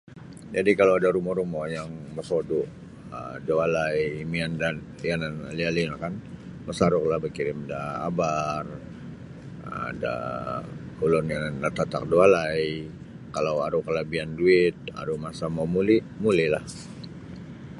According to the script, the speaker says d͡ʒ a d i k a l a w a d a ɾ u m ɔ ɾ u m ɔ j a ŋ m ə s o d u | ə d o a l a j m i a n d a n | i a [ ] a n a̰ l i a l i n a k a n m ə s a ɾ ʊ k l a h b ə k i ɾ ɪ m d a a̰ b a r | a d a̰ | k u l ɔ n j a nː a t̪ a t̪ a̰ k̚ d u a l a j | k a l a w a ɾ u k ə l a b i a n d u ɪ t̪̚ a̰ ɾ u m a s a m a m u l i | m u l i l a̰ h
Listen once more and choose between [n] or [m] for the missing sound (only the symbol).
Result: n